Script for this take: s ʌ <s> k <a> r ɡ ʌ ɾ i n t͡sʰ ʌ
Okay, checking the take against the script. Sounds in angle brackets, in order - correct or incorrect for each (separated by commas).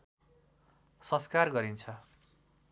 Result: correct, correct